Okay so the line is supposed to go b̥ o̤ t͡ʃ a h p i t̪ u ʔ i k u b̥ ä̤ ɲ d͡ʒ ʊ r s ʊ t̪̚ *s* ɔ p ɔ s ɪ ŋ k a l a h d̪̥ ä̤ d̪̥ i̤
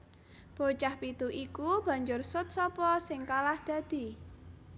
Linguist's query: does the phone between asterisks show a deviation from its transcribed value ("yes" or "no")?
no